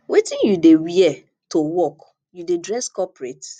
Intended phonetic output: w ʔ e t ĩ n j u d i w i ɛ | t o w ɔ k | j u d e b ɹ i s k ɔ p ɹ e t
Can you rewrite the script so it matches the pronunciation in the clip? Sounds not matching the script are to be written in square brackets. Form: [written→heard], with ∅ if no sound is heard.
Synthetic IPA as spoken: w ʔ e t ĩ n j u d [i→e] w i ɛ | t o w ɔ k | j u d e [b→d] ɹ [i→ɛ] s k ɔ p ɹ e t

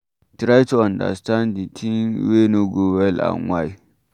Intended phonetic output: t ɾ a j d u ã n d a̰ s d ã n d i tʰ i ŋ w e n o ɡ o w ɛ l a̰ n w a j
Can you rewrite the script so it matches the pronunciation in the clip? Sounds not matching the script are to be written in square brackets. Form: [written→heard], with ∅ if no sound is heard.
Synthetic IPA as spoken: t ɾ a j [d→t] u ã n d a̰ s [d→t] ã n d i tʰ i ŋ w e n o ɡ o w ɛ l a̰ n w a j

